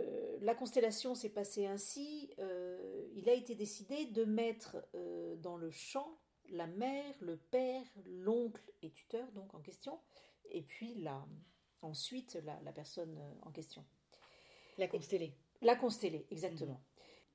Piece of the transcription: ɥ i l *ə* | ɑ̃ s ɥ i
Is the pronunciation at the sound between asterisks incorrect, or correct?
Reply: incorrect